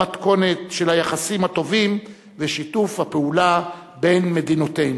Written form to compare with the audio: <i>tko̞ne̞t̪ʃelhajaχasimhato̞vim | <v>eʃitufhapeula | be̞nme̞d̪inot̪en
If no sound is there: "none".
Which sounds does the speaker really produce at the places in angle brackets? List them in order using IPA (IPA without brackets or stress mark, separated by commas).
a, v